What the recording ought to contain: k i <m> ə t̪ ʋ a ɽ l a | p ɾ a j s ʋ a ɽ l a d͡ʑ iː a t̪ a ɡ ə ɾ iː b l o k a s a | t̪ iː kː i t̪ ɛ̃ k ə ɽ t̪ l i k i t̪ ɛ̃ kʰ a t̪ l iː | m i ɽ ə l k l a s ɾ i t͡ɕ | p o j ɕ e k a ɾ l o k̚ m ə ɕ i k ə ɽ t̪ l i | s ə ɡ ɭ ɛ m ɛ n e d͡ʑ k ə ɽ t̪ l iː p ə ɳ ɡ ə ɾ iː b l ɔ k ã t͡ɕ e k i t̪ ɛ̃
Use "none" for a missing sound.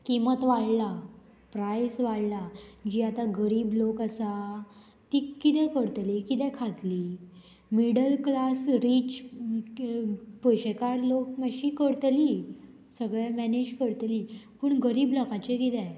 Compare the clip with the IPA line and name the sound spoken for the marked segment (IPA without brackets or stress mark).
m